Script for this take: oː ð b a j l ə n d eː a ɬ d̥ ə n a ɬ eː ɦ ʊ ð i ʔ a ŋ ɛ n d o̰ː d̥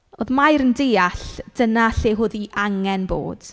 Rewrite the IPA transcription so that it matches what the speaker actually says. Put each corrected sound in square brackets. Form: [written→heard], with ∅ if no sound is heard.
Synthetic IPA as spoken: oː ð [b→m] a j [l→ɾ] ə n d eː a ɬ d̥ ə n a ɬ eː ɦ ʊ ð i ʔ a ŋ ɛ n [d→b] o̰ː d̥